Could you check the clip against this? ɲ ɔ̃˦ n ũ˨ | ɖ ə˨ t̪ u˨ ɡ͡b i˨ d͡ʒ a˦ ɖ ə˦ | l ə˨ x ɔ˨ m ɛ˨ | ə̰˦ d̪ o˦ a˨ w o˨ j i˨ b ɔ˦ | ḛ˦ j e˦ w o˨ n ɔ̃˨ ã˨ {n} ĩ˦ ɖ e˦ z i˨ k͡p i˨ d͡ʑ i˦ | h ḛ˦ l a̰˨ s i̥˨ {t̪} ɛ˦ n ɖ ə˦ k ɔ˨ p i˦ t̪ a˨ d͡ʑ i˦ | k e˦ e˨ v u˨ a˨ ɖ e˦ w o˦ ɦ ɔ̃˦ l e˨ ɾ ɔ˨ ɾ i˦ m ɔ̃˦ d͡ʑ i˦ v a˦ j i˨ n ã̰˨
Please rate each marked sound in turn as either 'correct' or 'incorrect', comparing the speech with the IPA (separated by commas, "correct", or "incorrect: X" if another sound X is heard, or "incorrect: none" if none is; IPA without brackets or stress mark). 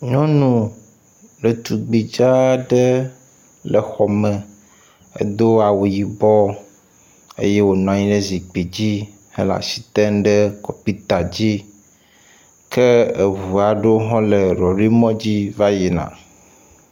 incorrect: ɲ, correct